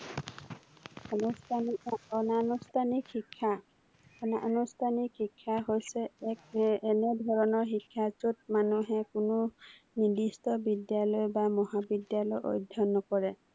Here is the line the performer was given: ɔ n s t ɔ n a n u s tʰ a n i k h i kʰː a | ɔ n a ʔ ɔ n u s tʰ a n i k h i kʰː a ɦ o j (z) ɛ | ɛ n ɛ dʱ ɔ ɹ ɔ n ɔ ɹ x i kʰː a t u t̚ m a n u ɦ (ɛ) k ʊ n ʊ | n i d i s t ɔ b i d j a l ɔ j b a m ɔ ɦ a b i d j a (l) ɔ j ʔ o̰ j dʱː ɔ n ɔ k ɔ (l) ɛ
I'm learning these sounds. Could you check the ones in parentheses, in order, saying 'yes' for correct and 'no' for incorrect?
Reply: no, yes, yes, no

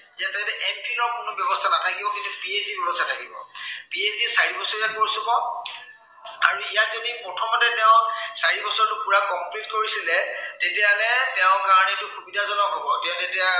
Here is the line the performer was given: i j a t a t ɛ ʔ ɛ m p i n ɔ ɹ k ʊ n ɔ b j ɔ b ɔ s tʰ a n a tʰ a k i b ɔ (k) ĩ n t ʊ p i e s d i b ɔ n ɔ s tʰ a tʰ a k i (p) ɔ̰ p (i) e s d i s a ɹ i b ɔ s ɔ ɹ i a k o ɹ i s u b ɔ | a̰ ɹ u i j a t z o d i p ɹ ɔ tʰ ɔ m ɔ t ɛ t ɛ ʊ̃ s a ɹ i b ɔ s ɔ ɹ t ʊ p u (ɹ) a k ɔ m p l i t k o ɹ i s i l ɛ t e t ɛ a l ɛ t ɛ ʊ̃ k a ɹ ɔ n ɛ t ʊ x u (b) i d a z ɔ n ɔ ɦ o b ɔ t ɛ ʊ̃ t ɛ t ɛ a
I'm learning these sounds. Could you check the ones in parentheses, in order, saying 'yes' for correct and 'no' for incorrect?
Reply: yes, no, yes, yes, yes

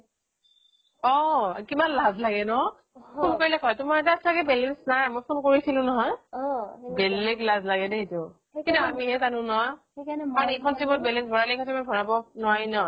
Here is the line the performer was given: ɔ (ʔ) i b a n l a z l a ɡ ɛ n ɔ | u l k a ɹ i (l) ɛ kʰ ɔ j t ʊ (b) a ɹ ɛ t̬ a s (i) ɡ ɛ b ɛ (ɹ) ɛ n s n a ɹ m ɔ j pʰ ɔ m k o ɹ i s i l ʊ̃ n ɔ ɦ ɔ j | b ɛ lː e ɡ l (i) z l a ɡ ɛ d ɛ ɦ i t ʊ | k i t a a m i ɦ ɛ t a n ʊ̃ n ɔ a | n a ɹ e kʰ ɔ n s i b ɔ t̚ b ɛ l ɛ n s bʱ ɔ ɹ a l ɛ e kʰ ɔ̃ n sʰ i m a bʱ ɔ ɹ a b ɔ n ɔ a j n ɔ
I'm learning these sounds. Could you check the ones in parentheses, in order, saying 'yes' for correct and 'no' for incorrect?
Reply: no, yes, no, no, no, no

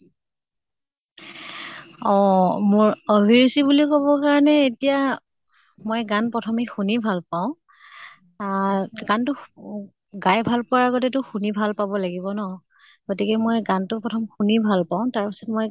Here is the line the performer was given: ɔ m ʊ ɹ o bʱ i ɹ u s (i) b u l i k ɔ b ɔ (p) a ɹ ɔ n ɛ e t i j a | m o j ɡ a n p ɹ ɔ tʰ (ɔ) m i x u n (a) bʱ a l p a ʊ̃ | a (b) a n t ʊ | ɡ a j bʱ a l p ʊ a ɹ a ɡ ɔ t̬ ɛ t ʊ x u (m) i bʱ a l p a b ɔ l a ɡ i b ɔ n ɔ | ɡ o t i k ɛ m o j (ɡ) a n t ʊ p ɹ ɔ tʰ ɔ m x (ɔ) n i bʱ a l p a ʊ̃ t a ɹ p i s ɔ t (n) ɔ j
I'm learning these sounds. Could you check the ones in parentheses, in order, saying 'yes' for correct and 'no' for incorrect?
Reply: yes, no, yes, no, no, no, yes, no, no

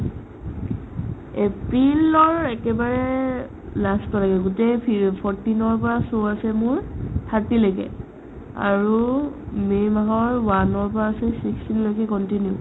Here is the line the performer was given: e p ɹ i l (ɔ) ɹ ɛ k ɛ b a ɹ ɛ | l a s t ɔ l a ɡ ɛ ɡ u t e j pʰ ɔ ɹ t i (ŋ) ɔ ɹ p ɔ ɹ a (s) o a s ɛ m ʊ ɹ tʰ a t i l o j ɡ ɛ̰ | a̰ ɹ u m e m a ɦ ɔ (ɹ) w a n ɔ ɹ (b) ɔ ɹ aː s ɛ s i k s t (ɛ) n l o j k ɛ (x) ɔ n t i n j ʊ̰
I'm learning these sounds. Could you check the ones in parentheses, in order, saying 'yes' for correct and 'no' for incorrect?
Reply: yes, no, yes, yes, no, no, no

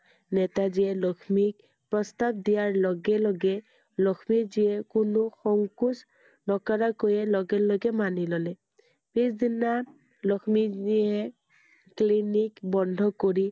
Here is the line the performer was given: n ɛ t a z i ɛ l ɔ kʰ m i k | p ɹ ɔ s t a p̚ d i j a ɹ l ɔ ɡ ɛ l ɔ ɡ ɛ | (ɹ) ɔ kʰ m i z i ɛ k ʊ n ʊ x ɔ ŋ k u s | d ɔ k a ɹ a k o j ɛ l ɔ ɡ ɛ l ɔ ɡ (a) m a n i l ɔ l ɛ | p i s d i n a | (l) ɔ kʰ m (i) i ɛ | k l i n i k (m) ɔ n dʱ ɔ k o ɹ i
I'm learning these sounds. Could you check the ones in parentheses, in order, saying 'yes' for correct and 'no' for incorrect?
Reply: no, no, yes, yes, no

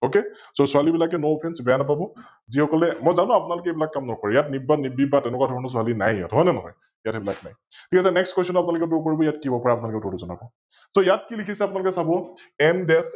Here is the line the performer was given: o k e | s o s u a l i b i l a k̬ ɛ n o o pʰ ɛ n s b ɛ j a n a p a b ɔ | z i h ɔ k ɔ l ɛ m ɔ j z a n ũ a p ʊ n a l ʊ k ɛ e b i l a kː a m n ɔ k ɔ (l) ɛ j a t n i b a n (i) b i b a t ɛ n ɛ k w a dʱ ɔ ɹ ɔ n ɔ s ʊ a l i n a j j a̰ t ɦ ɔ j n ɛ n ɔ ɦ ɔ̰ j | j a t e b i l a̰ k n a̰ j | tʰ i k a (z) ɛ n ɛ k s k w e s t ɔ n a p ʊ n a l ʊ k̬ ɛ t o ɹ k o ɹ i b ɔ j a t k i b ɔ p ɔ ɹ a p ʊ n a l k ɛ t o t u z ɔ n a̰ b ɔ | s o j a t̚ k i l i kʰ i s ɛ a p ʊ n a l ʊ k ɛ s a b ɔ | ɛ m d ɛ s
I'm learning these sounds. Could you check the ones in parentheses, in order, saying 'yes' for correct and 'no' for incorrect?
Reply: no, yes, no

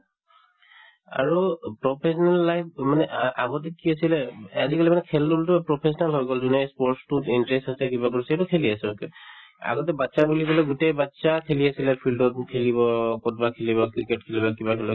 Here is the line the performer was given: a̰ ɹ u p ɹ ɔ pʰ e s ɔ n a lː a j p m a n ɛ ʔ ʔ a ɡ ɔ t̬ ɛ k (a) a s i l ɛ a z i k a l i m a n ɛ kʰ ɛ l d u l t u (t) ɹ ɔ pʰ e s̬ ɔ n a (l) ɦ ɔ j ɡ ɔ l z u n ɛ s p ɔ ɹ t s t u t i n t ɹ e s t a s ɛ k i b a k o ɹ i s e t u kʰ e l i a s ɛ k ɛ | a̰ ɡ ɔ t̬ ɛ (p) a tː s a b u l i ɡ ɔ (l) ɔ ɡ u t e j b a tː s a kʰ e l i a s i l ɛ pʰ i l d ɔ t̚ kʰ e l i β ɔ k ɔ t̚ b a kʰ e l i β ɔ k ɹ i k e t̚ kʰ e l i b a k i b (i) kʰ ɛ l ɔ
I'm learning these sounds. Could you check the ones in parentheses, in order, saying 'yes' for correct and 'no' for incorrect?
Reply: no, no, yes, no, yes, no

